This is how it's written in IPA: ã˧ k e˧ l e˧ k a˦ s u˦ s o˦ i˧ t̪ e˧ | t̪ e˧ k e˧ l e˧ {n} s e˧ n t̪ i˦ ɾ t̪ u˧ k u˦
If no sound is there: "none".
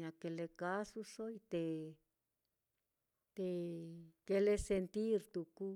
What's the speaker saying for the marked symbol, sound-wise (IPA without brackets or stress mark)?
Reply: none